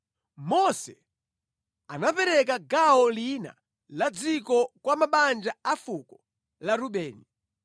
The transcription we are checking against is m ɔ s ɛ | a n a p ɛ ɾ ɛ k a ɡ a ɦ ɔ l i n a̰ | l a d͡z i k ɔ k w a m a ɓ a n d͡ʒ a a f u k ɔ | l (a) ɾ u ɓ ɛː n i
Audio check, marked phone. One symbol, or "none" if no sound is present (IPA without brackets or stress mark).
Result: a